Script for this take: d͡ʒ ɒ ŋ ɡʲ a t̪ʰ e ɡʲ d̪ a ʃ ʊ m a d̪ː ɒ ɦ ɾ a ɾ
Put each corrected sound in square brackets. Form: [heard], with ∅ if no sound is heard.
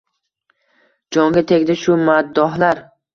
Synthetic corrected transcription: d͡ʒ ɒ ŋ ɡʲ a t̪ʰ e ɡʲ d̪ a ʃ ʊ m a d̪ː ɒ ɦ [l] a ɾ